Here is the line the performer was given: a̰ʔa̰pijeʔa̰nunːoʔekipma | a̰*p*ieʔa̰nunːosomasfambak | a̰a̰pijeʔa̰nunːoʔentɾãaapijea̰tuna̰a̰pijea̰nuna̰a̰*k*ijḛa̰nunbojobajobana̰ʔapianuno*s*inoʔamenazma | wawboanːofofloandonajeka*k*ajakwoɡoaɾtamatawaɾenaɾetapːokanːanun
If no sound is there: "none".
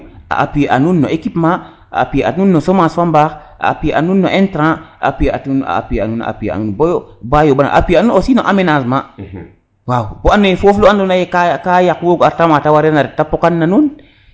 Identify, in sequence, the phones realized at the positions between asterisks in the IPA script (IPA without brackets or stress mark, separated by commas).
p, p, s, k